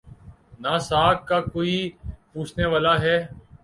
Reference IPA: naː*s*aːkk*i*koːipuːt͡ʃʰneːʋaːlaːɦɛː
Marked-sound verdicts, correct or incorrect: correct, incorrect

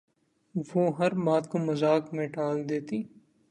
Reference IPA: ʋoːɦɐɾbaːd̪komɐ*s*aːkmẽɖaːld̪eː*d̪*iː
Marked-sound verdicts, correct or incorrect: incorrect, incorrect

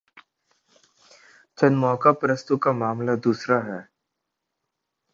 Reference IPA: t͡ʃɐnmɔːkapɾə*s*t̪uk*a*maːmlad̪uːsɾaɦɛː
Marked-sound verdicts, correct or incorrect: correct, correct

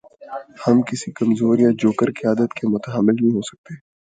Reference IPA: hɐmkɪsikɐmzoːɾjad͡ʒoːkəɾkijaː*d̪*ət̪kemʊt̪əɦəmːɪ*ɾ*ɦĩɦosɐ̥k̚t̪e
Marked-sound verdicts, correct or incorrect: correct, incorrect

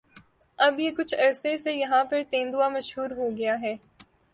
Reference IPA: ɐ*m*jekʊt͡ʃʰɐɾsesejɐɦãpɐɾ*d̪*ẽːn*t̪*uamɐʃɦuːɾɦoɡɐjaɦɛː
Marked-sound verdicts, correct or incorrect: incorrect, incorrect, incorrect

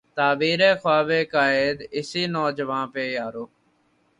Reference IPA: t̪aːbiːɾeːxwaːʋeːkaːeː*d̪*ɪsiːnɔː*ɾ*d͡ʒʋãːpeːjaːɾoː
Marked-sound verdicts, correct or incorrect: correct, incorrect

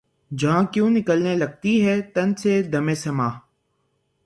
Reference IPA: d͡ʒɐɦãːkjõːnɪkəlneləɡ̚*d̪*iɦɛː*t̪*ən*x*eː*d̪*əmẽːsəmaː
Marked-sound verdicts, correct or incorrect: incorrect, correct, incorrect, correct

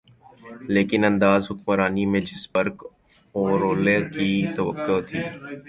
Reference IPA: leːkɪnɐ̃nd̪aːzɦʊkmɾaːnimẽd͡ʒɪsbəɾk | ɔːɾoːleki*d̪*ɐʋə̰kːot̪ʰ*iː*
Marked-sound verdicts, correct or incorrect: incorrect, correct

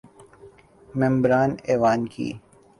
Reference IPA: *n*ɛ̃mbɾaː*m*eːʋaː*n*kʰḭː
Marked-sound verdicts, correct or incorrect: incorrect, incorrect, correct

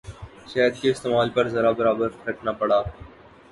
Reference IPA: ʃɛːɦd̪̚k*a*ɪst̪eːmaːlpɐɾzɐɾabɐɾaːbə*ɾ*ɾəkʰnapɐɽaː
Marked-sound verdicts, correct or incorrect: incorrect, correct

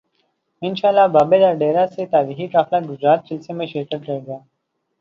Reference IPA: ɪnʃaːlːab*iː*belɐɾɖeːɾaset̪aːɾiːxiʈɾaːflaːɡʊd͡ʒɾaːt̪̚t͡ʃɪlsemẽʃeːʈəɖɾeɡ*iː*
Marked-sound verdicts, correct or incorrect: incorrect, incorrect

